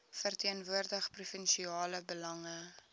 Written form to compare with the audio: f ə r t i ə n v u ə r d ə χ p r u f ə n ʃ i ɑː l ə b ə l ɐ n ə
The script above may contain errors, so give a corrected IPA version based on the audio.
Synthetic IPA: f ə r t i ə n v u ə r d ə χ p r u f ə n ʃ i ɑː l ə b ə l ɐ ŋ ə